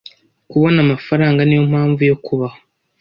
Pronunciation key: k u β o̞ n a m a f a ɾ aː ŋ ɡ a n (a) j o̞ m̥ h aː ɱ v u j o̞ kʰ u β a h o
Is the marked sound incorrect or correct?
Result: incorrect